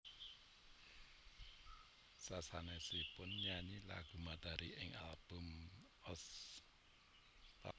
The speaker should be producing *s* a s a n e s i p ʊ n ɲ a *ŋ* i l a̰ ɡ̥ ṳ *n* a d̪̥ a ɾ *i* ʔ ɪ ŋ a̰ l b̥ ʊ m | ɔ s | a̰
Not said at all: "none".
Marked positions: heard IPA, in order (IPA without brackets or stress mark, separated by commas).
s, ɲ, m, i